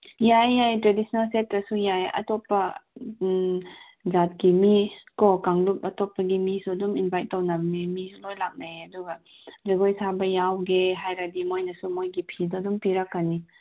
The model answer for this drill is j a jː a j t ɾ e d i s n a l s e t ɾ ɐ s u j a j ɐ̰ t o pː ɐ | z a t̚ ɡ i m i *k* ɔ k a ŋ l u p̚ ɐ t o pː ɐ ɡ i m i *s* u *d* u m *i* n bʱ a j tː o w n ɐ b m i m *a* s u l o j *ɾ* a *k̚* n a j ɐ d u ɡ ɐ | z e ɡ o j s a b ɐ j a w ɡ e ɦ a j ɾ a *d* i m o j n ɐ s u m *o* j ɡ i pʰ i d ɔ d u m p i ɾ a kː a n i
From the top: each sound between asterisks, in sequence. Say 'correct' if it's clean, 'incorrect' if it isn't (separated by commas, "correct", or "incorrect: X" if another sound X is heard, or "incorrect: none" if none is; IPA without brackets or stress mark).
correct, correct, correct, correct, incorrect: i, incorrect: l, correct, correct, correct